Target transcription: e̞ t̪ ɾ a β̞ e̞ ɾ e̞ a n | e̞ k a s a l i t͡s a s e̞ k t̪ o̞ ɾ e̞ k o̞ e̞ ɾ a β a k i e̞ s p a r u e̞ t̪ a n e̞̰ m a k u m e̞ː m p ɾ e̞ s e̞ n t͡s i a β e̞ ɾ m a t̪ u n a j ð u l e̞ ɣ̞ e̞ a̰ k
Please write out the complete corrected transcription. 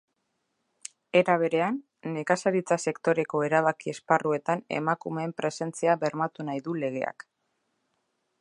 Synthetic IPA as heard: e̞ ɾ a β̞ e̞ ɾ e̞ a nː | e̞ k a s a ɾ i t͡s a s e̞ k t̪ o̞ ɾ e̞ k o̞ e̞ ɾ a β a k i e̞ s p a r u e̞ t̪ a n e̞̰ m a k u m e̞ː m p ɾ e̞ s e̞ n t͡s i a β e̞ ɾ m a t̪ u n a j ð u l e̞ ɣ̞ e̞ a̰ k